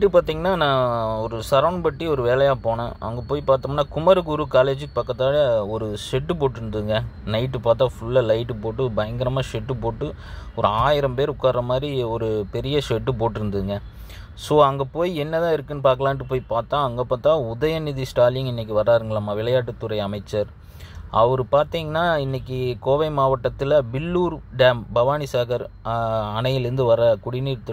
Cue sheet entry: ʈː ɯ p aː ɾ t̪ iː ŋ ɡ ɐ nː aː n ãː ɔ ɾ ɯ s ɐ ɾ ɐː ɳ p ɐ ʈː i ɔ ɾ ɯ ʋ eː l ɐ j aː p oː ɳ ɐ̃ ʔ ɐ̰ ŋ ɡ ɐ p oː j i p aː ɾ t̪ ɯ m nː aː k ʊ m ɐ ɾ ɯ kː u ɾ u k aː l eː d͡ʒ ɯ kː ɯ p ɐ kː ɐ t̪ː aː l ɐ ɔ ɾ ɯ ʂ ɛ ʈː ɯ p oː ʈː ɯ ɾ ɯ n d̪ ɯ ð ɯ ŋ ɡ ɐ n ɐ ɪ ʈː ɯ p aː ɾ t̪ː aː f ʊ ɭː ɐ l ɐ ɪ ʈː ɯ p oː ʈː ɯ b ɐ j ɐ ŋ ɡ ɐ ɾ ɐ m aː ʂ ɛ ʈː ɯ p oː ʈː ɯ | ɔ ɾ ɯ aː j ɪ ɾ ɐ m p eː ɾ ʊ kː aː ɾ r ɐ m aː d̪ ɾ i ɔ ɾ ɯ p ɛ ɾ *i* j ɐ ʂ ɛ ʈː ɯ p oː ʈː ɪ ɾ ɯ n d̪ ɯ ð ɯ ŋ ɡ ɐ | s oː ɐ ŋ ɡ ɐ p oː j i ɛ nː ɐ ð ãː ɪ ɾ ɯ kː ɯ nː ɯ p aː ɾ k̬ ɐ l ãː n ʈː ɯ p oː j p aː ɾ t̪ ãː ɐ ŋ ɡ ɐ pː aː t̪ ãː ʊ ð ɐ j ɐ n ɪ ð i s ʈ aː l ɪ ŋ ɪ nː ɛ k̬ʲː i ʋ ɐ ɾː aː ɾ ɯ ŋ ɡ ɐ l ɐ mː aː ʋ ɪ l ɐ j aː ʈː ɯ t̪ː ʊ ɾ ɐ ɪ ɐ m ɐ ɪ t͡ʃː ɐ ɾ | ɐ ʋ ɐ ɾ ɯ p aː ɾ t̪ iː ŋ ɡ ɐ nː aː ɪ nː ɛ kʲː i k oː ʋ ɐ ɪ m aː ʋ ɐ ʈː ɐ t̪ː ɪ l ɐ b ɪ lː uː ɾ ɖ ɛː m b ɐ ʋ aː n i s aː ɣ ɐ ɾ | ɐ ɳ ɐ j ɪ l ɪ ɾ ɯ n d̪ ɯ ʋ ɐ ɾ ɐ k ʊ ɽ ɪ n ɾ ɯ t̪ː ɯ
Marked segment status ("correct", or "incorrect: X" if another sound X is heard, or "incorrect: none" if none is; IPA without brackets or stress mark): incorrect: ɪ